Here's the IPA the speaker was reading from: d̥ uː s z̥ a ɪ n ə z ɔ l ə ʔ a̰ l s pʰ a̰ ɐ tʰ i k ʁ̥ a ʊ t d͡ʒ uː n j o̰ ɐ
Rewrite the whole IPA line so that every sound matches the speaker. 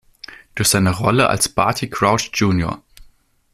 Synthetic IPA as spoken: d̥ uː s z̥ a ɪ n ə ʁ ɔ l ə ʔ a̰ l s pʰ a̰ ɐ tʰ i k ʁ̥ a ʊ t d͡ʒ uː n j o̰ ɐ